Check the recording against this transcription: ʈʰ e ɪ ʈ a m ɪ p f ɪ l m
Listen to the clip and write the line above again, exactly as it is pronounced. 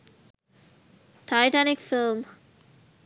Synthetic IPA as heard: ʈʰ a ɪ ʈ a n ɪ k f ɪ l m